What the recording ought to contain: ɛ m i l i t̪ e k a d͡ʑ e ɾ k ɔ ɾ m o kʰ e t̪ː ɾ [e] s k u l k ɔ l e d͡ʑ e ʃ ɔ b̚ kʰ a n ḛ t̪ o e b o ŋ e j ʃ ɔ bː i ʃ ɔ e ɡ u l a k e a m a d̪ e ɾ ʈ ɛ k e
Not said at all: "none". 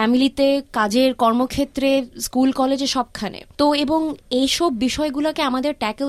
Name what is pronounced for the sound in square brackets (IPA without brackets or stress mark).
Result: e